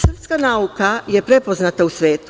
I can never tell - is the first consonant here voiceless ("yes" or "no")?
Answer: yes